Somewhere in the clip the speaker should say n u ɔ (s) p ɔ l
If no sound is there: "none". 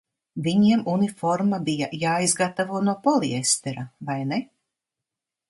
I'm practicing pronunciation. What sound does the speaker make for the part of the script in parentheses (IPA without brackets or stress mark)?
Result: none